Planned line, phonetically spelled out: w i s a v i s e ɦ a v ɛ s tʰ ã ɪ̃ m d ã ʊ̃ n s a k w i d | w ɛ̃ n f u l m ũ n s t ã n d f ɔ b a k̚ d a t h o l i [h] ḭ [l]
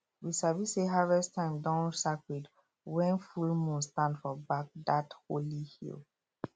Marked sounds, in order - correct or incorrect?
correct, correct

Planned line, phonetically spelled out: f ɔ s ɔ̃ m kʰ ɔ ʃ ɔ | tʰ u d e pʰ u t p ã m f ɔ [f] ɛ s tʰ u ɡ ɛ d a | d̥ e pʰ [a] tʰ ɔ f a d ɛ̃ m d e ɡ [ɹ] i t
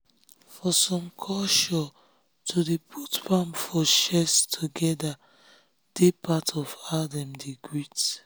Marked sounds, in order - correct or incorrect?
incorrect: ʃ, correct, correct

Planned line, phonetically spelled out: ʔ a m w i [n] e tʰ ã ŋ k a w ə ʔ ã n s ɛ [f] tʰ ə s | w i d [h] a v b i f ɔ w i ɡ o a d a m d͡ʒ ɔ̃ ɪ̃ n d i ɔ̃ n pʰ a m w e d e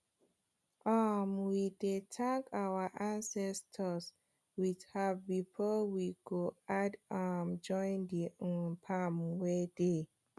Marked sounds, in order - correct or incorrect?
incorrect: d, incorrect: s, correct

